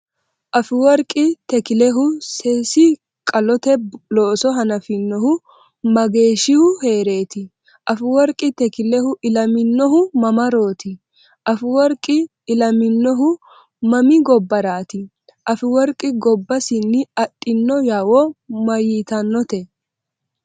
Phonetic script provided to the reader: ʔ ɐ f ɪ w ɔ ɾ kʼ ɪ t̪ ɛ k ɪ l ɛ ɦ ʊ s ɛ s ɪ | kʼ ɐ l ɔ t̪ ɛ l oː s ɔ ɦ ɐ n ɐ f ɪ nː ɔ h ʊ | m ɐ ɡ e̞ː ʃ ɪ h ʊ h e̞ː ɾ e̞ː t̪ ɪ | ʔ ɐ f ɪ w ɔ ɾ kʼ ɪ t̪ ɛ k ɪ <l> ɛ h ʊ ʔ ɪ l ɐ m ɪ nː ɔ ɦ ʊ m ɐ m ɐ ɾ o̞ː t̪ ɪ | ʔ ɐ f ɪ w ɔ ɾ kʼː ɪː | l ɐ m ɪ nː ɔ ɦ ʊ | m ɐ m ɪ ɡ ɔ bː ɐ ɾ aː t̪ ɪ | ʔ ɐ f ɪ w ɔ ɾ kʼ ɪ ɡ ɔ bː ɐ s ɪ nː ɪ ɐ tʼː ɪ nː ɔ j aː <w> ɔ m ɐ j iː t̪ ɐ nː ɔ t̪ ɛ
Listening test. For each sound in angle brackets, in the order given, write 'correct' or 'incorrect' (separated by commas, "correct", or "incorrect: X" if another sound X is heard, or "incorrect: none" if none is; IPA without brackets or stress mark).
correct, correct